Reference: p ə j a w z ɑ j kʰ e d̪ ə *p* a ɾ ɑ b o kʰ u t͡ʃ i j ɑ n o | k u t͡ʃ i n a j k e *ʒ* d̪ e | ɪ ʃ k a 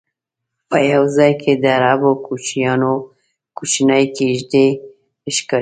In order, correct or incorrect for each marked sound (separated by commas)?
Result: incorrect, correct